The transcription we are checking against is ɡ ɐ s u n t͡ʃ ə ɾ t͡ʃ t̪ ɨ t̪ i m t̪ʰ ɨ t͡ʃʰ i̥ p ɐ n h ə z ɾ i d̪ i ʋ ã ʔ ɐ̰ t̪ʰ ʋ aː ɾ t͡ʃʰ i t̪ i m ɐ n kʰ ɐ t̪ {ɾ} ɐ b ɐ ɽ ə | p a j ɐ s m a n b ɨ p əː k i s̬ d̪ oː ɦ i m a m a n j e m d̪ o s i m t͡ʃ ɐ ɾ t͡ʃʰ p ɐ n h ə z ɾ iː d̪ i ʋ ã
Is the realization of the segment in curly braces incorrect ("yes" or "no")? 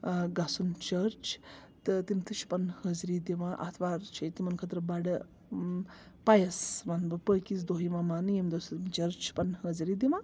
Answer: no